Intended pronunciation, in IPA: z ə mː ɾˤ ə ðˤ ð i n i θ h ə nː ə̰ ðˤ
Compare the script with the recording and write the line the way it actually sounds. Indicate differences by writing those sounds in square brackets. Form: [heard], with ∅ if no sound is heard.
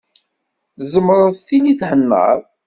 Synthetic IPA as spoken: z ə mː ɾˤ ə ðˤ [θ] i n i θ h ə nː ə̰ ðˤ